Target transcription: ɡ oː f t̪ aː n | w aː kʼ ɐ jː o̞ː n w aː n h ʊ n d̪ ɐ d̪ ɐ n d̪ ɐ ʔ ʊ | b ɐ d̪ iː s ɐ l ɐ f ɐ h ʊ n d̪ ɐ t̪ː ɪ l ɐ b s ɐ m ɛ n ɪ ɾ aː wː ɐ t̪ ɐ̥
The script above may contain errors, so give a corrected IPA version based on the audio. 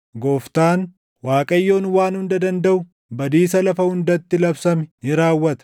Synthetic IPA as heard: ɡ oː f t̪ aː n | w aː kʼ ɐ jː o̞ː n w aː n h ʊ n d̪ ɐ d̪ ɐ n d̪ ɐ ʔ ʊ | b ɐ d̪ iː s ɐ l ɐ f ɐ h ʊ n d̪ ɐ t̪ː ɪ l ɐ b s ɐ m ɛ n ɪ ɾ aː wː ɐ t̪ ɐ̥